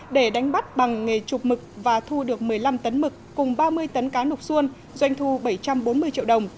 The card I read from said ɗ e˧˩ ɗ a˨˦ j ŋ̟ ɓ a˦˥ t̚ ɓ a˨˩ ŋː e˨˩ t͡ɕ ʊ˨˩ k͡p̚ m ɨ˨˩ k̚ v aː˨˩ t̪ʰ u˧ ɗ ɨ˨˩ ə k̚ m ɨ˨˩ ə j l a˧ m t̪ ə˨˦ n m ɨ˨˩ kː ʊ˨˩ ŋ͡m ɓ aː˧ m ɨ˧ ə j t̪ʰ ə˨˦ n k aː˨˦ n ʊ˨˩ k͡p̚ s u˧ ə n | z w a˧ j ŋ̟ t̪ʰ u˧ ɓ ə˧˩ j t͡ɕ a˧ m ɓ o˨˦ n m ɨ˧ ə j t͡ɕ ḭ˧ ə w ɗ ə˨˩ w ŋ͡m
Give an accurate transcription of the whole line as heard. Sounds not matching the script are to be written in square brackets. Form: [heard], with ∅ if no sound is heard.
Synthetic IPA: ɗ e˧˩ ɗ a˨˦ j ŋ̟ ɓ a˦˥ t̚ ɓ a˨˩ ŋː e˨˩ t͡ɕ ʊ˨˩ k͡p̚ m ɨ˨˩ k̚ v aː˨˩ t̪ʰ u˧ ɗ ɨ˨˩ ə k̚ m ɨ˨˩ ə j l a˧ m t̪ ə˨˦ n m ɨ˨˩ kː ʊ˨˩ ŋ͡m ɓ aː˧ m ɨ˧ ə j [t̪] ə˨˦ n k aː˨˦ n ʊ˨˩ k͡p̚ s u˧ ə n | z w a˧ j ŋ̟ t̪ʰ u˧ ɓ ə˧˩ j t͡ɕ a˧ m ɓ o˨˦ n m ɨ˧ ə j t͡ɕ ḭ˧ ə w ɗ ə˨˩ w ŋ͡m